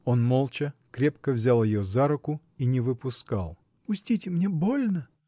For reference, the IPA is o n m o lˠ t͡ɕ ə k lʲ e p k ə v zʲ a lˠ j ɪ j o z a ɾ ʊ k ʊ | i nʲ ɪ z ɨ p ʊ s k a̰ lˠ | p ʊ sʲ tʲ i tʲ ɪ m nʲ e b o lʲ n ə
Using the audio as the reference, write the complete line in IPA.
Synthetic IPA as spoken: o n m o lˠ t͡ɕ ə k ɾʲ e p k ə v zʲ a lˠ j ɪ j o z a ɾ ʊ k ʊ | i nʲ ɪ v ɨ p ʊ s k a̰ lˠ | p ʊ sʲ tʲ i tʲ ɪ m nʲ e b o lʲ n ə